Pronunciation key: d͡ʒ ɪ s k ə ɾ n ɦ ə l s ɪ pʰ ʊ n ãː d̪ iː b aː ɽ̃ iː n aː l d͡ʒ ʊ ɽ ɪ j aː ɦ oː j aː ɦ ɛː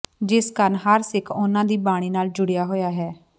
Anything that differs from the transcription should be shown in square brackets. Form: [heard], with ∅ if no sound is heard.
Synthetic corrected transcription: d͡ʒ ɪ s k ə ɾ n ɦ ə [ɾ] s ɪ [kʰ] ʊ n ãː d̪ iː b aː ɽ̃ iː n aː l d͡ʒ ʊ ɽ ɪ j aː ɦ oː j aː ɦ ɛː